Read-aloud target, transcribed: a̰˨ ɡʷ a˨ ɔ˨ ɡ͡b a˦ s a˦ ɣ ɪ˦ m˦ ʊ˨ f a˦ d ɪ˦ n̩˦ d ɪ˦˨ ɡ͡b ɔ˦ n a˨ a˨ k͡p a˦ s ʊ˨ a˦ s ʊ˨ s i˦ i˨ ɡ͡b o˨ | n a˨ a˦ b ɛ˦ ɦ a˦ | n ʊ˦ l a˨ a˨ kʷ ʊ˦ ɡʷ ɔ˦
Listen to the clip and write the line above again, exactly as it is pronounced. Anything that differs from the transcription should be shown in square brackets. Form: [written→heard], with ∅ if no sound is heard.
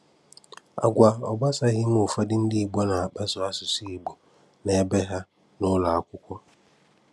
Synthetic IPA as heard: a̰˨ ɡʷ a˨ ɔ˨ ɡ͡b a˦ s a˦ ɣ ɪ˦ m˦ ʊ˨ f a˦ d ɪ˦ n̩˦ d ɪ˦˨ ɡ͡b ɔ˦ n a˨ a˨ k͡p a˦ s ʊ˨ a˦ s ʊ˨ s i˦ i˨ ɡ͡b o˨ | n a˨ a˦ b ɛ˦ ɦ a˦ | n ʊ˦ l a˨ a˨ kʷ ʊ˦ [ɡʷ→kʷ] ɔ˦